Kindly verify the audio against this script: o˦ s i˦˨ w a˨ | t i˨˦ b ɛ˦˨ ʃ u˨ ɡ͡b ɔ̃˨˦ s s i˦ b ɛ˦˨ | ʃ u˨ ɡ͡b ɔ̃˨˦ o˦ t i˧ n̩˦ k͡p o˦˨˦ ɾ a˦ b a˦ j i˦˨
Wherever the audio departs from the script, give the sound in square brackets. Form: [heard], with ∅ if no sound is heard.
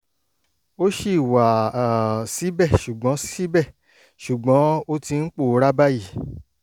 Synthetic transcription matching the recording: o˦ [ʃ] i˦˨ w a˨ | [s] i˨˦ b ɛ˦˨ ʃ u˨ ɡ͡b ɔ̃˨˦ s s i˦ b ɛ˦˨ | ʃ u˨ ɡ͡b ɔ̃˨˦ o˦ t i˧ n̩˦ k͡p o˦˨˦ ɾ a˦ b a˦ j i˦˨